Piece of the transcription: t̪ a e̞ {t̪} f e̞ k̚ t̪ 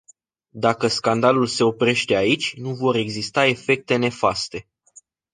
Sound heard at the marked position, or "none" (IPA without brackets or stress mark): none